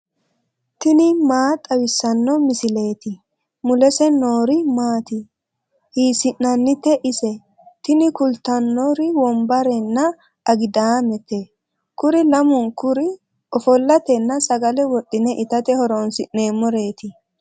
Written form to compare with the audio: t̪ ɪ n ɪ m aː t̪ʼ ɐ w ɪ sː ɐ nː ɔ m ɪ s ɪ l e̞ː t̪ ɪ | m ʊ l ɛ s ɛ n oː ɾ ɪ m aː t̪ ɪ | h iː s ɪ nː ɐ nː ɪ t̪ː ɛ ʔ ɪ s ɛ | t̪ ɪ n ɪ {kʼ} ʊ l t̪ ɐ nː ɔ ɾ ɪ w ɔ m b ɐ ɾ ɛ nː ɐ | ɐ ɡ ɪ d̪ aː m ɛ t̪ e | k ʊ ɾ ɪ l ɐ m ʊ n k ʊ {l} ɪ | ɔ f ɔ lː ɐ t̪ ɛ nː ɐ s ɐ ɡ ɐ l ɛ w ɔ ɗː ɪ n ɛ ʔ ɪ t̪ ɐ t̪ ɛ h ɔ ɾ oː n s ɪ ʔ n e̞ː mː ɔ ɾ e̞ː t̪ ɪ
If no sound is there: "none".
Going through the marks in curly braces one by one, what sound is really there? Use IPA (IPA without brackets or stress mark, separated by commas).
k, ɾ